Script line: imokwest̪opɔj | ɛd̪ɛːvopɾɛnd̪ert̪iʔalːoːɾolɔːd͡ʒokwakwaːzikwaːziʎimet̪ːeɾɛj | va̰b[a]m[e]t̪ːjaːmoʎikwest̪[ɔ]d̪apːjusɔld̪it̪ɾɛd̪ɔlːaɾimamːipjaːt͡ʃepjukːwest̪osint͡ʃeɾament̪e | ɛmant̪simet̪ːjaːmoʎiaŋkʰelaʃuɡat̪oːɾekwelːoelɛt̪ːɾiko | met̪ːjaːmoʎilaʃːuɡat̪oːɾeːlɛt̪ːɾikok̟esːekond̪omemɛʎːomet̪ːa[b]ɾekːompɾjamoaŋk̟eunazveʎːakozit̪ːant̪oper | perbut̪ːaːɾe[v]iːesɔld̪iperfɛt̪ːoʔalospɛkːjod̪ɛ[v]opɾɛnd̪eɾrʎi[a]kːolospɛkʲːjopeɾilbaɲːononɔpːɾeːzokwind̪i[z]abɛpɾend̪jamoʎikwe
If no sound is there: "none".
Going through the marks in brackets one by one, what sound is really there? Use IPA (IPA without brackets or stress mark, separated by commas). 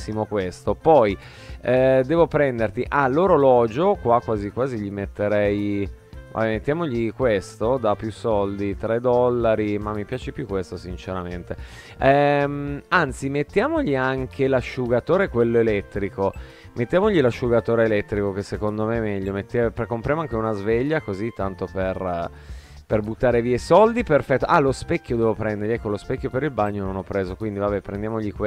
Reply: ɛ, e, o, p, v, v, ɛ, v